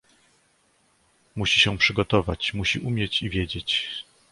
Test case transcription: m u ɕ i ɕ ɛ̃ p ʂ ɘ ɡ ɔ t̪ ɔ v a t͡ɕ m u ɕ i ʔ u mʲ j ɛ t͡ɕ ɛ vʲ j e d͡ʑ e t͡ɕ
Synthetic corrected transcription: m u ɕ i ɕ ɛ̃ p ʂ ɘ ɡ ɔ t̪ ɔ v a t͡ɕ m u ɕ i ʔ u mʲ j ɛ t͡ɕ i vʲ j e d͡ʑ e t͡ɕ